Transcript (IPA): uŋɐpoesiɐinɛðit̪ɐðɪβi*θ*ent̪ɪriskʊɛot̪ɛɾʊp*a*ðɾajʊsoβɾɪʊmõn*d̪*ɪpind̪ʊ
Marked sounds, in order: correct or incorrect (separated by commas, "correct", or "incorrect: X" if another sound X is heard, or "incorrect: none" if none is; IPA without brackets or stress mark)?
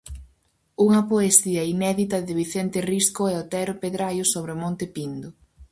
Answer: correct, incorrect: e, incorrect: t̪